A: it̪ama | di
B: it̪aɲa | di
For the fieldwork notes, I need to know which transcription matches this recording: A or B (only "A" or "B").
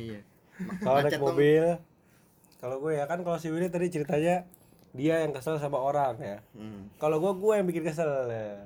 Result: B